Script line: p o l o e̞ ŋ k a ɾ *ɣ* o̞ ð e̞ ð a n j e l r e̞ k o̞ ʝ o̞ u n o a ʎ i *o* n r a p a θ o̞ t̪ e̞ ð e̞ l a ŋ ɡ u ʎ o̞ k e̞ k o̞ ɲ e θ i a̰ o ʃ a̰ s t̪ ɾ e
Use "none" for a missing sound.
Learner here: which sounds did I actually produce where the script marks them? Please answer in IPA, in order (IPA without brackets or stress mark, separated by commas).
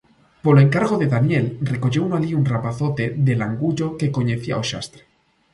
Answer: ɣ, u